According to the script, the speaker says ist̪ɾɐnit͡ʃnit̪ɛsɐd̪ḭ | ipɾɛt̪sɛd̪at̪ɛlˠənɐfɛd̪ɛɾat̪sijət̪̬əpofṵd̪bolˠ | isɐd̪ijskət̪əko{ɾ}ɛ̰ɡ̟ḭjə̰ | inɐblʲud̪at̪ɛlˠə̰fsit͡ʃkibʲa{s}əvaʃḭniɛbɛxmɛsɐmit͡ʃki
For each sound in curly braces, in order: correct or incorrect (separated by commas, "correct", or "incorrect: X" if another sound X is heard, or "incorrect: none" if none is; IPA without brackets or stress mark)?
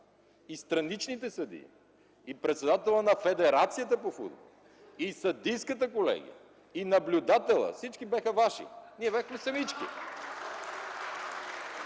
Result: incorrect: l, incorrect: x